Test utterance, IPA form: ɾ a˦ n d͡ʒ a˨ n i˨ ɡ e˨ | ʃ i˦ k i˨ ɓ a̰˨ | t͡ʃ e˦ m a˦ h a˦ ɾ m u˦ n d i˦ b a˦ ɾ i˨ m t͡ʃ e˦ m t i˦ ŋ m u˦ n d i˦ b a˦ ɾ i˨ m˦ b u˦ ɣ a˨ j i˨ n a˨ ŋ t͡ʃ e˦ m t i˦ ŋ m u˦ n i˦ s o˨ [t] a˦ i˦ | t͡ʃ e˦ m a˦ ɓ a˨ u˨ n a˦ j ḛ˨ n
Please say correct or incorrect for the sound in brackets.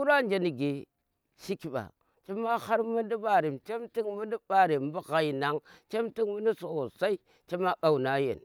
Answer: incorrect